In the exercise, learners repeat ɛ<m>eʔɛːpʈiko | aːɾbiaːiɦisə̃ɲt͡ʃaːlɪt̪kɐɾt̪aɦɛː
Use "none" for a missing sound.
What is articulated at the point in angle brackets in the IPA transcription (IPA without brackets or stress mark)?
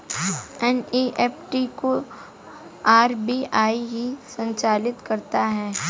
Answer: n